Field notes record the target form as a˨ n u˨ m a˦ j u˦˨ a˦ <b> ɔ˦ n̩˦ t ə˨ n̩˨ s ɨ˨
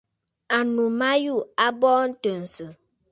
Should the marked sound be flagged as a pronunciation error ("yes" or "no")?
no